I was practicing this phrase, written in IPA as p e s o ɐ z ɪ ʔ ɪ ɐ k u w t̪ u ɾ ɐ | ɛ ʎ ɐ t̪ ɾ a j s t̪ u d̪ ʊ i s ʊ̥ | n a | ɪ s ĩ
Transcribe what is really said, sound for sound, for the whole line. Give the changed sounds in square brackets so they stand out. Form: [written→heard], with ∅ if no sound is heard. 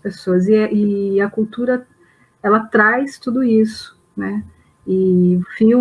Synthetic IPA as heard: p e s o ɐ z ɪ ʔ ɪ ɐ k u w t̪ u ɾ ɐ | ɛ [ʎ→l] ɐ t̪ ɾ a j s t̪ u d̪ ʊ i s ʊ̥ | n [a→ɛ] | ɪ [s→f] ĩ